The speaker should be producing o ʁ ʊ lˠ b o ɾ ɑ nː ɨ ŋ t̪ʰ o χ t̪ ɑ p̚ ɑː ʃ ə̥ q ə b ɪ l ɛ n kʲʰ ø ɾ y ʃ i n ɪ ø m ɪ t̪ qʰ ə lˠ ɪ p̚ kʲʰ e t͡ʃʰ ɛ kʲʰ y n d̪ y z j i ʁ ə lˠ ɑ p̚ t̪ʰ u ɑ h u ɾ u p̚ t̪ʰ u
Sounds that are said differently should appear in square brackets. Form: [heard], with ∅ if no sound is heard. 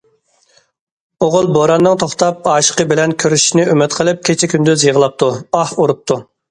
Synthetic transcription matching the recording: o ʁ ʊ lˠ b o ɾ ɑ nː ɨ ŋ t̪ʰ o χ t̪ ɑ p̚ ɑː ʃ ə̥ q ə b ɪ l ɛ n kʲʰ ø ɾ y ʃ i n ɪ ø m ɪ t̪ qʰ ə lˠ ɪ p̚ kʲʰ e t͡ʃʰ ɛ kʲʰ y n d̪ y z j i ʁ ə lˠ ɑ p̚ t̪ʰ u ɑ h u ɾ u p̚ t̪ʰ u